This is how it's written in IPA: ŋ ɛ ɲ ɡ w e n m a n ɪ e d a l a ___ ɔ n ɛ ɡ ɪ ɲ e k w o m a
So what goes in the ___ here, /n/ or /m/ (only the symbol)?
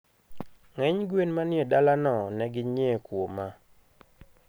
n